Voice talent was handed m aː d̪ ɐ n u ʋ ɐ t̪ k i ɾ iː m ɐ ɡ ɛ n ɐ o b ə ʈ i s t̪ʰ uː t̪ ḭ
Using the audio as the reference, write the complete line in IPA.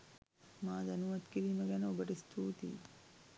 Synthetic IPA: m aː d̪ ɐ n u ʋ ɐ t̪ k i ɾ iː m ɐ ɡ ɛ n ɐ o b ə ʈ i s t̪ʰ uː t̪ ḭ